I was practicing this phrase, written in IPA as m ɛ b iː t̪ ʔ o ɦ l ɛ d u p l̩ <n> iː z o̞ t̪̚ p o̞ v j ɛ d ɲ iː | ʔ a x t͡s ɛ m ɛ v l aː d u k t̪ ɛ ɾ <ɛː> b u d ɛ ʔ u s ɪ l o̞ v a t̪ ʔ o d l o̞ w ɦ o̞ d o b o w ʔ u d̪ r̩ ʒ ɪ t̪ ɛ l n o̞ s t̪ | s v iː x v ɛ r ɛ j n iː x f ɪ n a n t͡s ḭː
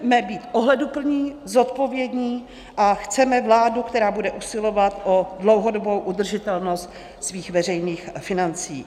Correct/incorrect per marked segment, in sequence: incorrect: ɲ, incorrect: aː

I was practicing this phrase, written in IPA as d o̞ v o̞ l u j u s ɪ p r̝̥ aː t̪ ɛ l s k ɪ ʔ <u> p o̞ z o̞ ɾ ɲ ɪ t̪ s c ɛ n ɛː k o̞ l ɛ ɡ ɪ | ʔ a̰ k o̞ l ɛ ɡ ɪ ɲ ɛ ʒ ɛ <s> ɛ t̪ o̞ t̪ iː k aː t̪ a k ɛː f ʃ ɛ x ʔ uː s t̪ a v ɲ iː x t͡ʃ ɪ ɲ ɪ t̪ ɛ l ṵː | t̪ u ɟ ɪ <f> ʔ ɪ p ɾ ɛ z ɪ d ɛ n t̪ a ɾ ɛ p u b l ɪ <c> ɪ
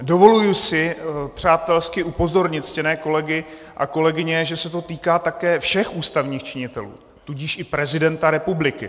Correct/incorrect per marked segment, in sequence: correct, correct, incorrect: ʃ, incorrect: k

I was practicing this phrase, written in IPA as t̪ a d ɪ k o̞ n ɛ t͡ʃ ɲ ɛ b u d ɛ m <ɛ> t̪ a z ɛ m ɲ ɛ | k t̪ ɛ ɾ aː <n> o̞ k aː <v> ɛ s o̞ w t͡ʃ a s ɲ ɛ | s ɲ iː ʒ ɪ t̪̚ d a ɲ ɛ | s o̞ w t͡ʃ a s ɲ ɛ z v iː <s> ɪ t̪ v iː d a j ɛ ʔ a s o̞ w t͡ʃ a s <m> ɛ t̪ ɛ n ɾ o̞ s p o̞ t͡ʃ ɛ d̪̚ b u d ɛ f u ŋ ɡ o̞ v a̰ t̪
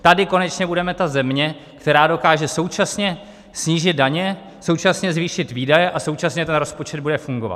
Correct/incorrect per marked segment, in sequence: correct, incorrect: d, incorrect: ʒ, incorrect: ʃ, incorrect: ɲ

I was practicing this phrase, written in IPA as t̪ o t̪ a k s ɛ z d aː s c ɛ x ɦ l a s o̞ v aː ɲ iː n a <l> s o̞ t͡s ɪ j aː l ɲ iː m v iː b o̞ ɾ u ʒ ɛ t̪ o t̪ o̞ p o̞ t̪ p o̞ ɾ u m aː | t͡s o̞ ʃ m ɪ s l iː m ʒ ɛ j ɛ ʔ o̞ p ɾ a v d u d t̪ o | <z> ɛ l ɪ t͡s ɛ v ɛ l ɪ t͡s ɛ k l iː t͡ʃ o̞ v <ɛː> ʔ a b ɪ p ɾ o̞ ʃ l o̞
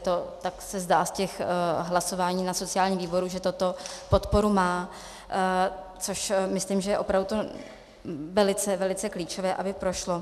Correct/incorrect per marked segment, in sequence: incorrect: none, incorrect: v, correct

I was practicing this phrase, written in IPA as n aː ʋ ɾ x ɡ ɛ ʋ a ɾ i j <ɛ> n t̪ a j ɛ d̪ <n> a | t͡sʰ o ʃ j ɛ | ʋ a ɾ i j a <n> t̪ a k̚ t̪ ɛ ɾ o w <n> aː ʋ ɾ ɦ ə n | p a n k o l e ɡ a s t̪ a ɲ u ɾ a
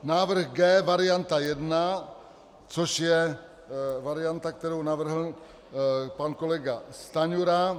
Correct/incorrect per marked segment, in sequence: incorrect: a, correct, correct, correct

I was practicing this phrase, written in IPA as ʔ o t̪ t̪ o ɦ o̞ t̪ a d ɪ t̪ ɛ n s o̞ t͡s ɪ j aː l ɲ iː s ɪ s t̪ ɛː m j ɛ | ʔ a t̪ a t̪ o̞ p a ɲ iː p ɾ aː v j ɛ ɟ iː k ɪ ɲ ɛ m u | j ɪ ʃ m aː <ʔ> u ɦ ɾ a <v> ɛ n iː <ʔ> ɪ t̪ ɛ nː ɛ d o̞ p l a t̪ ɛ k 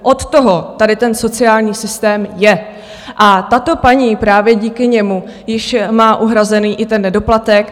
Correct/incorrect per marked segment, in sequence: correct, incorrect: z, correct

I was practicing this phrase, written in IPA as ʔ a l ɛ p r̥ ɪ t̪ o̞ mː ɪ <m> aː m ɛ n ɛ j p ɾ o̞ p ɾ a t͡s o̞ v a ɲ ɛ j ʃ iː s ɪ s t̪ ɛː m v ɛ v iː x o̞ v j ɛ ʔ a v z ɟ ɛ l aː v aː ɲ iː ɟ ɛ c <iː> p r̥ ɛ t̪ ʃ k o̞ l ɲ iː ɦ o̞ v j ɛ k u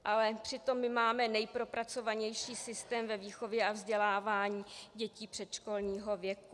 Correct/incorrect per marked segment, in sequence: correct, correct

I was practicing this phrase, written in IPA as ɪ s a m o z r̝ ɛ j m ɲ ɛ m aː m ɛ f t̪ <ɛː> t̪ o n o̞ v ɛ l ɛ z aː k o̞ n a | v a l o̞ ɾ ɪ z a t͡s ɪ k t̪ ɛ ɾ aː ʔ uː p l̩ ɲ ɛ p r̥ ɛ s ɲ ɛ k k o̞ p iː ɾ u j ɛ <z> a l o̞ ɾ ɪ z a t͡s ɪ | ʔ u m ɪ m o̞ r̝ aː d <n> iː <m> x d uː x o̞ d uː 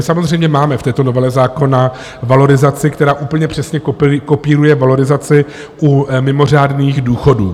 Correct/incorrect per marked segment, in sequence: correct, incorrect: v, correct, incorrect: none

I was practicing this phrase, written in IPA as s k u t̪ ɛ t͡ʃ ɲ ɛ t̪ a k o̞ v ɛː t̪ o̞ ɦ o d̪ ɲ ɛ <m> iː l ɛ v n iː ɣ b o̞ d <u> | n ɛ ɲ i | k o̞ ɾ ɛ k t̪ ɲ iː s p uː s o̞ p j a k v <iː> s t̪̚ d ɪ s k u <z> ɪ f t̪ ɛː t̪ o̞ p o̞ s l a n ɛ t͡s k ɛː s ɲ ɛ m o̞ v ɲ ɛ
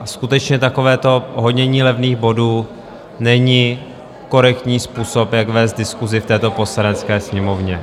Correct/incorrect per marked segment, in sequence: incorrect: ɲ, incorrect: uː, incorrect: ɛː, correct

